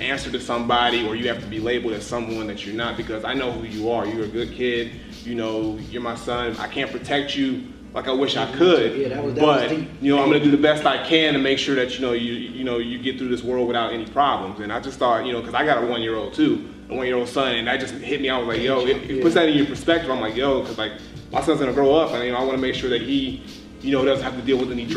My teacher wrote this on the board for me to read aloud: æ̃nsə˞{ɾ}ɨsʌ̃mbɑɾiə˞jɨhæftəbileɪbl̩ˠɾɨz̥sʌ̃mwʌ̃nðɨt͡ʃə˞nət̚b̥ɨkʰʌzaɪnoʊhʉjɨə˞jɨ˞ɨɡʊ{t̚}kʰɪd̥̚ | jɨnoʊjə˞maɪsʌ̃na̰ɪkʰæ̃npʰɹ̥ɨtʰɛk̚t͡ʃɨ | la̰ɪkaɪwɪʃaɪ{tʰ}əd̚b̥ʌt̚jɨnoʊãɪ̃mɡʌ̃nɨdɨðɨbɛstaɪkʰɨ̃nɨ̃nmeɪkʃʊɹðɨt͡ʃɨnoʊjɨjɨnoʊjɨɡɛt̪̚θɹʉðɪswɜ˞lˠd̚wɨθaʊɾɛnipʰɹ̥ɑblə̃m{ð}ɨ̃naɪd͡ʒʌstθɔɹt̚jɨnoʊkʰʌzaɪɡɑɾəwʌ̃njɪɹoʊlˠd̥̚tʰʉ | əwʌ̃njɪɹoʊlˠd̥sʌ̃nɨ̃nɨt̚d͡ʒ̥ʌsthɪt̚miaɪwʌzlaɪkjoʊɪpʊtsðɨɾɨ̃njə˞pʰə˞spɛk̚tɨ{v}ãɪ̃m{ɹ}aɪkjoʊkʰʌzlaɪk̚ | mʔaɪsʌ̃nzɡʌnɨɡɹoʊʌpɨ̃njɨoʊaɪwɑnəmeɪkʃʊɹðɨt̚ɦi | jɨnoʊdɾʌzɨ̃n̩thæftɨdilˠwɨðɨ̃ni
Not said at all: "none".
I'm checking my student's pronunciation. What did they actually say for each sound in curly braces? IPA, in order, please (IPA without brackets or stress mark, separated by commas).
ɾ, d̚, kʰ, z, v, l